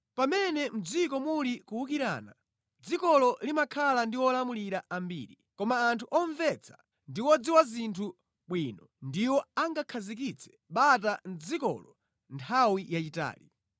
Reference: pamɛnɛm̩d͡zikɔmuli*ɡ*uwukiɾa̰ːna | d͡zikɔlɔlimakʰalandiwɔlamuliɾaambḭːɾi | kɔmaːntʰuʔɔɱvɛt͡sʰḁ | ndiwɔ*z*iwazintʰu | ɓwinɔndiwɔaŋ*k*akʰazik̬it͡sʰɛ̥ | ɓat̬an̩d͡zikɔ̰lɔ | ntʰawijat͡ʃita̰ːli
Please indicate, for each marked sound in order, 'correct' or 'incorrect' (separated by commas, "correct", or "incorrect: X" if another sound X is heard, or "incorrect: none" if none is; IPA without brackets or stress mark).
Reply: incorrect: k, incorrect: d͡z, incorrect: ɡ